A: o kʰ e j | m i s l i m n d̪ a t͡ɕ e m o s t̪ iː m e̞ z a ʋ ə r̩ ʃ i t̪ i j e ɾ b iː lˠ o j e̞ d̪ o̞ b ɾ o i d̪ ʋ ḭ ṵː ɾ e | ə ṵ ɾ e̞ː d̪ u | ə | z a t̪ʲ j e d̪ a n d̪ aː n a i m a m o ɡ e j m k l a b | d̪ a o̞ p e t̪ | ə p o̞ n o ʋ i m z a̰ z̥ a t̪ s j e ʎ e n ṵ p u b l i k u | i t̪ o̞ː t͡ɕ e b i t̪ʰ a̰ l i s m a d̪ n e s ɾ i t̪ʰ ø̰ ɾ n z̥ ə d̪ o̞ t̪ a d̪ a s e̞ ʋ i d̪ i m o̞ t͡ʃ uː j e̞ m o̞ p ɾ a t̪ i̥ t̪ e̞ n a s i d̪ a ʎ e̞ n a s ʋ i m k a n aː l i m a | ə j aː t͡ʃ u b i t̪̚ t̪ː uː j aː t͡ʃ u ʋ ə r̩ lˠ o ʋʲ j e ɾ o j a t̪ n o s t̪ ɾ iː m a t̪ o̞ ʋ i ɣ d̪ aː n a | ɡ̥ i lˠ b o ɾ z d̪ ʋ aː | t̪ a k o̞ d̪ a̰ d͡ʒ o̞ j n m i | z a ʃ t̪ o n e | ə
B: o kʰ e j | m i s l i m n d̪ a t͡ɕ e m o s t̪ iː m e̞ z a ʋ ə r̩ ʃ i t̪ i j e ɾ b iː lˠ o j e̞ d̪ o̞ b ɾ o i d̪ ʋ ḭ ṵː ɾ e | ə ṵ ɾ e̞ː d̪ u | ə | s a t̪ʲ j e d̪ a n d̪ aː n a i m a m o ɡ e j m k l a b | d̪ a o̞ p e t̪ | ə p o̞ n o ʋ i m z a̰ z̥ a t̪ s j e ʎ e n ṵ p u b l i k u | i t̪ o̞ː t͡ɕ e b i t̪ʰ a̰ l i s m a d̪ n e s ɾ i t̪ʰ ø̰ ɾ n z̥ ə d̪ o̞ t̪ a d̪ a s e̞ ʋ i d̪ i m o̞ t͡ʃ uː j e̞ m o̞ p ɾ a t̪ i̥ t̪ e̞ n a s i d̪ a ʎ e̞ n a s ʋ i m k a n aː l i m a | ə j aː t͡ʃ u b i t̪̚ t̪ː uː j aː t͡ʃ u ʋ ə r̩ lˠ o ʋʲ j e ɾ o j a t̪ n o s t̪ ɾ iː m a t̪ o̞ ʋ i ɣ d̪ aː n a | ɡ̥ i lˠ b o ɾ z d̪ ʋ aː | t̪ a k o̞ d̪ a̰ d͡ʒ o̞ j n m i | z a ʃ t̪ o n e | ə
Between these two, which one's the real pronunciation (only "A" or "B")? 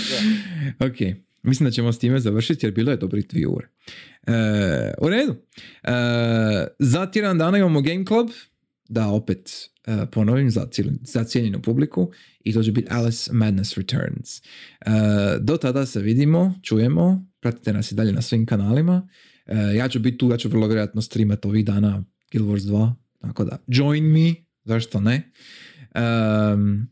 A